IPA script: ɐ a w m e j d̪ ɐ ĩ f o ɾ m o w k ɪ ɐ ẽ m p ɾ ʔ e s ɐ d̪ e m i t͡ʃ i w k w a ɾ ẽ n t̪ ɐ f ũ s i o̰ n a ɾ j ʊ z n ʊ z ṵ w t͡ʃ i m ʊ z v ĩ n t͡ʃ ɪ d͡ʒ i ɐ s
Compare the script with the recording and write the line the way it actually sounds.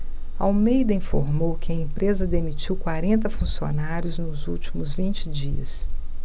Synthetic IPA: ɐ a w m e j d̪ ɐ ĩ f o ɾ m o w k ɪ ɐ ẽ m p ɾ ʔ e z ɐ d̪ e m i t͡ʃ i w k w a ɾ ẽ n t̪ ɐ f ũ s i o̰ n a ɾ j ʊ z n ʊ z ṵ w t͡ʃ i m ʊ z v ĩ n t͡ʃ ɪ d͡ʒ i ɐ s